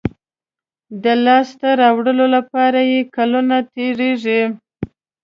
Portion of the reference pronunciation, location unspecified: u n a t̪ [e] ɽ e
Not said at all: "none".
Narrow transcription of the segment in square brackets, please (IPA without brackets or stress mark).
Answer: e